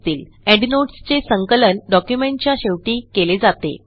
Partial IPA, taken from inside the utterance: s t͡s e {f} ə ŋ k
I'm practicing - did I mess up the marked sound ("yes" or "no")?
yes